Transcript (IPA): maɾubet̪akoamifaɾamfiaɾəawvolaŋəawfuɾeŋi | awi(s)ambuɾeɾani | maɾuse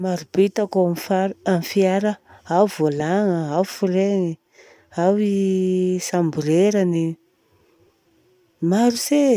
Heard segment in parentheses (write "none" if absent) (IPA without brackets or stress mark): s